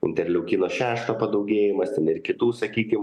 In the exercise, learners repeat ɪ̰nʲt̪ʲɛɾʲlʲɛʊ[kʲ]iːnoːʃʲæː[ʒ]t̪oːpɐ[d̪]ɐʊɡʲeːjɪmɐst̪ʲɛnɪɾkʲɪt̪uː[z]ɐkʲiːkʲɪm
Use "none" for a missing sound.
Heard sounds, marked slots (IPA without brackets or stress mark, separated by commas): kʲ, ʃ, d̪, s